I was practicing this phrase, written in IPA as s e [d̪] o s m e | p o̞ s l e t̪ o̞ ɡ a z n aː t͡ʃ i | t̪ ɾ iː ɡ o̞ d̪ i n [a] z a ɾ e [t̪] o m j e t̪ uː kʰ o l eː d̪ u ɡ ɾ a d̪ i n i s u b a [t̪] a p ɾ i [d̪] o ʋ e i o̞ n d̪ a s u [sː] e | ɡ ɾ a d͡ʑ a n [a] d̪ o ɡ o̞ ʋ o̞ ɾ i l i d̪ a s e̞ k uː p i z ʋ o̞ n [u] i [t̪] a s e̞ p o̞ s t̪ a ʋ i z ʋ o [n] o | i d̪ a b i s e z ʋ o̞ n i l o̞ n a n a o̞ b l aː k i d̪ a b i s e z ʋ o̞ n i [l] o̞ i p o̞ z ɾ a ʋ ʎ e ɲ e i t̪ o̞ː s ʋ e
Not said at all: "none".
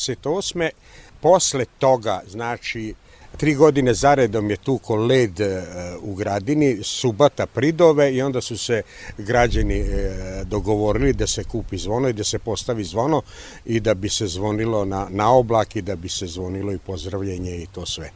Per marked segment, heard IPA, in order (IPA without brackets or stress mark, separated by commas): t̪, e, d̪, t̪, d̪, s, i, o, d̪, n, l